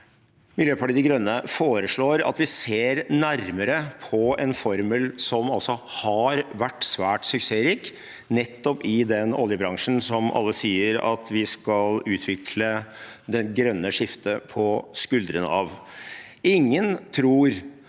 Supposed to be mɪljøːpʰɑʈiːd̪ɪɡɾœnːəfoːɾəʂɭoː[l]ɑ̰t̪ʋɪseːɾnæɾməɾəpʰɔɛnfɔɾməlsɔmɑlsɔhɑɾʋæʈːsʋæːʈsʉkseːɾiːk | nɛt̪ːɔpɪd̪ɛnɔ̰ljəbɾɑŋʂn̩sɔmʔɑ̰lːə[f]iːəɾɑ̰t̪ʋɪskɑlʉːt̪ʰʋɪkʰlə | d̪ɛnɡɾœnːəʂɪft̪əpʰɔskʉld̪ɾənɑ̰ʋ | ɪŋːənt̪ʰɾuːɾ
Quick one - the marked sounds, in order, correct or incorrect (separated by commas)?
incorrect, incorrect